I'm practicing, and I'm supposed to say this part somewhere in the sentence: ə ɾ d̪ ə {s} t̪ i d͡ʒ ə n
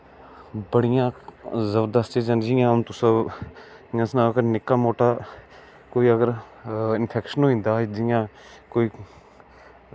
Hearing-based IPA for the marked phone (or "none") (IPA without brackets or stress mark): s